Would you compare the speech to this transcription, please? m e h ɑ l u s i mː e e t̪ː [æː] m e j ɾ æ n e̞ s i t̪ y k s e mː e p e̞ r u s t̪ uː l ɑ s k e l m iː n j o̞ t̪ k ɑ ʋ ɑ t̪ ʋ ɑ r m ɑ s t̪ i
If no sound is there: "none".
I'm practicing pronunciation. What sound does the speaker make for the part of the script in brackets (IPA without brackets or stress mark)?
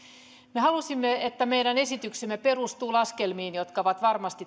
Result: æ